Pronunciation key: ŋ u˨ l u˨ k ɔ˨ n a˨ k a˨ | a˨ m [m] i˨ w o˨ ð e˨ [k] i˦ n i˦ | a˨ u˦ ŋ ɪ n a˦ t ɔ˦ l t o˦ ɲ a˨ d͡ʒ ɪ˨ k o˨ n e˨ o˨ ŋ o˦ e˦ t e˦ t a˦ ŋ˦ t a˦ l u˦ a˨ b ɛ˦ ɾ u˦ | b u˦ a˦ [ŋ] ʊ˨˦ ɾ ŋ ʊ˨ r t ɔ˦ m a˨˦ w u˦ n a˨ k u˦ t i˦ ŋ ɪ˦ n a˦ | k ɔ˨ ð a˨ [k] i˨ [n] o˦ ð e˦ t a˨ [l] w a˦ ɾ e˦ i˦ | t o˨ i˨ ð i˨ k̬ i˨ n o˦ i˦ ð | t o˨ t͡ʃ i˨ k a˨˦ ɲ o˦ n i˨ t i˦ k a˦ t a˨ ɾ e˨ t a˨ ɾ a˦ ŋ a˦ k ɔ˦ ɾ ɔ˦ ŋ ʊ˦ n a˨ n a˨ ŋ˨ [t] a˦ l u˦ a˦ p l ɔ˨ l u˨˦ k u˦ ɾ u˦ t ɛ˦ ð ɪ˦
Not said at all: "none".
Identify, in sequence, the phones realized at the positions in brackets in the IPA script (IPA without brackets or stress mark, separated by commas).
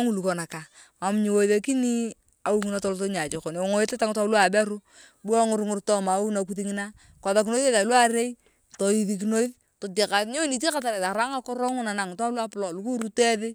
ɲ, k, ŋ, k, n, l, t